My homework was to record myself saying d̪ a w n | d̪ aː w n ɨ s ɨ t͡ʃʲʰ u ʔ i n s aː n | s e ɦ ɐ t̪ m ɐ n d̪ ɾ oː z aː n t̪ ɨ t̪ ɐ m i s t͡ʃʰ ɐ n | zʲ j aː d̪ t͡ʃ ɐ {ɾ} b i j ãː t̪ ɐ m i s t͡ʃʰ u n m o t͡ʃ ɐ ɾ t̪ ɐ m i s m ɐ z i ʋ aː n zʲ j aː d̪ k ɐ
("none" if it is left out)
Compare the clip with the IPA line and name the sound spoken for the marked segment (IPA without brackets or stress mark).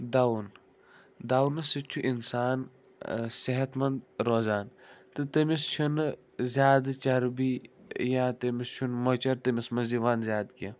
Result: ɾ